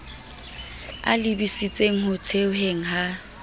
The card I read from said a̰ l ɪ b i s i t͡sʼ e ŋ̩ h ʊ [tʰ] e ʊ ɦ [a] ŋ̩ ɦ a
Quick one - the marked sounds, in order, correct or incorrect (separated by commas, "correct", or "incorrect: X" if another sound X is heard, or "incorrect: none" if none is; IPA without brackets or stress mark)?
correct, incorrect: e